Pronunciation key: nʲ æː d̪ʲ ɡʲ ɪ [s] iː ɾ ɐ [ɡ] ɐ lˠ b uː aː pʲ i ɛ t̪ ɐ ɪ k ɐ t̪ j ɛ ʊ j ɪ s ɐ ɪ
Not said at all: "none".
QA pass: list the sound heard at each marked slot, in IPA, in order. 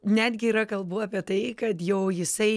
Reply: none, k

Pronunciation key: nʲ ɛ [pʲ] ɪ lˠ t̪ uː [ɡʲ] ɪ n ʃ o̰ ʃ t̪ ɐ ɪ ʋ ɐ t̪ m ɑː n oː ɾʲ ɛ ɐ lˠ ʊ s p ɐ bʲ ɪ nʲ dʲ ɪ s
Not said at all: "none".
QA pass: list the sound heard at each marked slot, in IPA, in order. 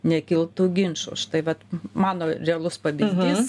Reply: kʲ, ɡʲ

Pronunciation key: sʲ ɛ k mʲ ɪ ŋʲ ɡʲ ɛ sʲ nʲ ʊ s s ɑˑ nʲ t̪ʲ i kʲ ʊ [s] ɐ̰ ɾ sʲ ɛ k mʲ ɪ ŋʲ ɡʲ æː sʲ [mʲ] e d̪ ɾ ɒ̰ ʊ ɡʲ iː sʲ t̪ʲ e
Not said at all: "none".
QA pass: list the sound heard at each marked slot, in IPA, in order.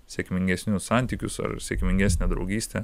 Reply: s, nʲ

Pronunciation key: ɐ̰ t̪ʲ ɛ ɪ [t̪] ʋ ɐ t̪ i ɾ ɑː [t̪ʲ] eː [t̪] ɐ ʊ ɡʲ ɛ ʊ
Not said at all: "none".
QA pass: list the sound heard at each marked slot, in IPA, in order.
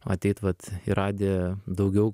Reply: t̪, d̪ʲ, d̪

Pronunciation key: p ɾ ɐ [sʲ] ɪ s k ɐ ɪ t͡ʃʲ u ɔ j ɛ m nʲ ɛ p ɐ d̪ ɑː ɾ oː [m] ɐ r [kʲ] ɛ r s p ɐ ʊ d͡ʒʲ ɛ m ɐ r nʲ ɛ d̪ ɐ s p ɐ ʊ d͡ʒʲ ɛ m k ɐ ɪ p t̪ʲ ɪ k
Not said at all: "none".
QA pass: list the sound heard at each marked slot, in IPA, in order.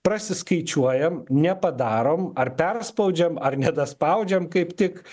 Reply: sʲ, m, pʲ

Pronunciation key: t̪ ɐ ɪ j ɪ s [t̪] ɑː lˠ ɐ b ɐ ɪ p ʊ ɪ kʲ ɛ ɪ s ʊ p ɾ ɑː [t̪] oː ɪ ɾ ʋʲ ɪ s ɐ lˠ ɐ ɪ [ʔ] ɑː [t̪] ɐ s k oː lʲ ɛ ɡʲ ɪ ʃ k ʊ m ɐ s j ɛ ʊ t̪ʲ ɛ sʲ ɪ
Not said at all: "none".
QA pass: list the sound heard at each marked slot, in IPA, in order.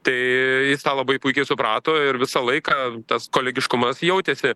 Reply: t̪, t̪, k, t̪

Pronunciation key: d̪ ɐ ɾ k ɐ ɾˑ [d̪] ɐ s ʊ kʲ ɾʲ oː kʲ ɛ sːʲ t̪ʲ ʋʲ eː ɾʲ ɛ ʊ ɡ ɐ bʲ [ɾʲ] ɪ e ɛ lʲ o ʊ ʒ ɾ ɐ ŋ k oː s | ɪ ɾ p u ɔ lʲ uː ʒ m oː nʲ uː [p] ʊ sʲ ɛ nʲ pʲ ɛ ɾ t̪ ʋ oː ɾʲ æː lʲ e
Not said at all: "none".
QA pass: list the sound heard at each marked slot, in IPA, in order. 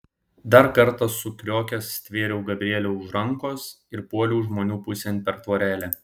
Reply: t̪, ɾʲ, p

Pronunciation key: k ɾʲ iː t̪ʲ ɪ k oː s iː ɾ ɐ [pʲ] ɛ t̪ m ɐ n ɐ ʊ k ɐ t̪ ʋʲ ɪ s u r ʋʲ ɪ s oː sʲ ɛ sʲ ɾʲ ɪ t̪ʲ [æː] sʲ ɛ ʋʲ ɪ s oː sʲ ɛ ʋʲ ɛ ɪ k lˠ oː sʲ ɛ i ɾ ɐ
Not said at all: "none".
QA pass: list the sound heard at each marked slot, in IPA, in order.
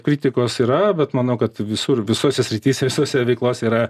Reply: bʲ, iː

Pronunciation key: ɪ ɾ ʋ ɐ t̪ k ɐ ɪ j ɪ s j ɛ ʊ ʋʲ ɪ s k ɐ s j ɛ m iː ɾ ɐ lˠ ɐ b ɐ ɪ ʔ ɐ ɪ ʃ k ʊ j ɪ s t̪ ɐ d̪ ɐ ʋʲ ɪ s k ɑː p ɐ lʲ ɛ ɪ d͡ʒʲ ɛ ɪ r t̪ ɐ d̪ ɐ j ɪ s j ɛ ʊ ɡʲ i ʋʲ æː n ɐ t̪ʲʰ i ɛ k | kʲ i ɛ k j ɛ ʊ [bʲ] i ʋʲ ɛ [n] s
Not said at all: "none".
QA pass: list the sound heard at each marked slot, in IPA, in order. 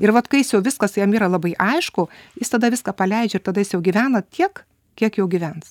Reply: ɡʲ, n

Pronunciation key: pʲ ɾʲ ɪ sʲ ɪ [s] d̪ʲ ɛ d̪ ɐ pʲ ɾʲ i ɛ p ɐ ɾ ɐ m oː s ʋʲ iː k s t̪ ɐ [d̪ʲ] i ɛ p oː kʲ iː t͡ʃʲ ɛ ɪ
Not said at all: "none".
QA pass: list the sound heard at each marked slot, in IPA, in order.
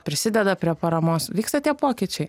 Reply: none, t̪ʲ

